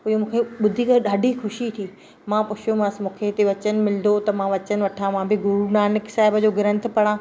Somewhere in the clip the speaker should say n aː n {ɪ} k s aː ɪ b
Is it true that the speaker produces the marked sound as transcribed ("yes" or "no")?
yes